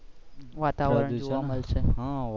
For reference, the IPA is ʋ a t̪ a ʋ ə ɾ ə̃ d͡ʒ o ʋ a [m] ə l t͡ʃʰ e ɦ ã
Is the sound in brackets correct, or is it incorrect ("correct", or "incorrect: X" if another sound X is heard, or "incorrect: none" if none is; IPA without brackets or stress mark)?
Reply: correct